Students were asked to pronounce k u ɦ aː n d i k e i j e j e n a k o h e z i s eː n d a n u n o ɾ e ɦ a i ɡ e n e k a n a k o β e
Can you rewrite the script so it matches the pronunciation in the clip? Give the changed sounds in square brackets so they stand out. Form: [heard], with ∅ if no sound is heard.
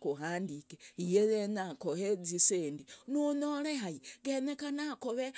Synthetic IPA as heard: k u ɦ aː n d i k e i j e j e n a k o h e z i s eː n d [i] n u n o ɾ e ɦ a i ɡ e n e k a n a k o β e